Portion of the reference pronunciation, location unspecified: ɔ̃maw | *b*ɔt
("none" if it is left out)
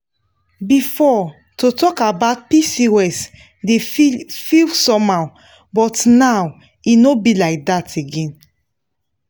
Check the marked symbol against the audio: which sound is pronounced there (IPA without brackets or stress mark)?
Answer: b